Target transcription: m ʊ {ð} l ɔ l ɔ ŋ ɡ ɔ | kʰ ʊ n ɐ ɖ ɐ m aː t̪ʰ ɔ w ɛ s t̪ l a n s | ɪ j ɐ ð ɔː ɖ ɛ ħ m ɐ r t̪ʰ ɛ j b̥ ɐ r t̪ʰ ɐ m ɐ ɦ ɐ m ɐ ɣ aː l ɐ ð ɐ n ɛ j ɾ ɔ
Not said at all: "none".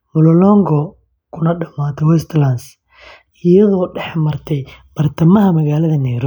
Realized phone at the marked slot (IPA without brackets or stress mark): none